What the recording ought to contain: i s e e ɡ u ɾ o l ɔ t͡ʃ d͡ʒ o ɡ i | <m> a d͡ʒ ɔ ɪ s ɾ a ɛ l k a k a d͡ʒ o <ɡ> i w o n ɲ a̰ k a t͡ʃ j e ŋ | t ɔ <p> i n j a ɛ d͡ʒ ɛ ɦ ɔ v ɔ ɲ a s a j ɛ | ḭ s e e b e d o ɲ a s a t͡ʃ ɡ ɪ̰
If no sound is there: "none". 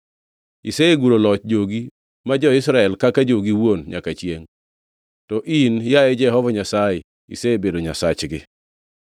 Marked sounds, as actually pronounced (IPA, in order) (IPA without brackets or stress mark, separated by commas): m, ɡ, ʔ